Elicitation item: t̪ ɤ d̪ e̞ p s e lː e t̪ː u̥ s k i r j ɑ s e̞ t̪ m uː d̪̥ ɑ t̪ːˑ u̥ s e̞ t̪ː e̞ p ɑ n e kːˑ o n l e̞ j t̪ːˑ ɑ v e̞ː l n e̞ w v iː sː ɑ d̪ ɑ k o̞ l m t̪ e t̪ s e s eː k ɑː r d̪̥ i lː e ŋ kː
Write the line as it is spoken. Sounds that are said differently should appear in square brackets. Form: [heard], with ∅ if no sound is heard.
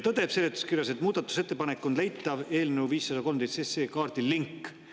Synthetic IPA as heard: t̪ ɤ d̪ e̞ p s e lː e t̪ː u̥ s k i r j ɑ s e̞ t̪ m uː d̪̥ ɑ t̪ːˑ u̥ s e̞ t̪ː e̞ p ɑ n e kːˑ o n l e̞ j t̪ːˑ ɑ v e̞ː l n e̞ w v iː sː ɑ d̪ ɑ k o̞ l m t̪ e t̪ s e s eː k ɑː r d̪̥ i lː [i] ŋ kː